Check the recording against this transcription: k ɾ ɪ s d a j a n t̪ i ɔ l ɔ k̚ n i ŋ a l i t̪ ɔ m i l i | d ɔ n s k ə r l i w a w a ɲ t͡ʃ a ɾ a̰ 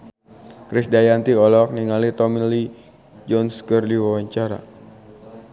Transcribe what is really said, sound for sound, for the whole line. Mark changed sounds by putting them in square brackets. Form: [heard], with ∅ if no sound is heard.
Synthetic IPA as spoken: k ɾ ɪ s d a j a n t̪ i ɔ l ɔ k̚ n i ŋ a l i t̪ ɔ m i l i | [d͡ʒ] ɔ n s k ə r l i w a w a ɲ t͡ʃ a ɾ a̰